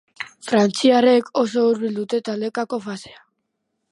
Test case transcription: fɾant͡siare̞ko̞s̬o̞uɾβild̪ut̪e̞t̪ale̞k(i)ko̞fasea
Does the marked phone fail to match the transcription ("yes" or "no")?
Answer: yes